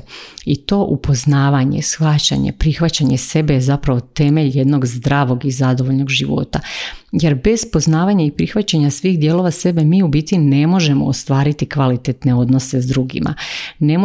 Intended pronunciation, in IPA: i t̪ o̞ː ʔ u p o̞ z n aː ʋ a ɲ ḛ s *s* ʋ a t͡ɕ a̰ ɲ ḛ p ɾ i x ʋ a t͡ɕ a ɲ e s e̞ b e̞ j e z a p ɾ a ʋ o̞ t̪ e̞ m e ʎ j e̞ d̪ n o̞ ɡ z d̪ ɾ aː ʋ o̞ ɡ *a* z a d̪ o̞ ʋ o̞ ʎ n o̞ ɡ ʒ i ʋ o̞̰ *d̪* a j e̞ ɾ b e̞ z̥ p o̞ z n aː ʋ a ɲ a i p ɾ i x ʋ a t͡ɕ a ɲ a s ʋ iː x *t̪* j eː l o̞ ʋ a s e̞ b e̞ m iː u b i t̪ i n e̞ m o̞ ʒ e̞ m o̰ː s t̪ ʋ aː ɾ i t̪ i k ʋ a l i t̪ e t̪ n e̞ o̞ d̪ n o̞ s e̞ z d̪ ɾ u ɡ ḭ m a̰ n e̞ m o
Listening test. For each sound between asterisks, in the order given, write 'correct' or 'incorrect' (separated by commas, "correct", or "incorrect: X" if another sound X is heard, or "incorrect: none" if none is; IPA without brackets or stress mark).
incorrect: x, incorrect: i, incorrect: t̪, incorrect: d̪